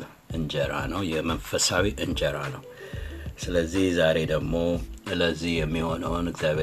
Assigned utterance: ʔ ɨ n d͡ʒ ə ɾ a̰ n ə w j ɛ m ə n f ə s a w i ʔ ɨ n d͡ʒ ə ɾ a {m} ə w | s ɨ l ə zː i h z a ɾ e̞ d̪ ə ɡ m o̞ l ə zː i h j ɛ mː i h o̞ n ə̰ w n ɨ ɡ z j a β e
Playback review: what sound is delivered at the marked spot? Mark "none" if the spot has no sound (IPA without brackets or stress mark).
n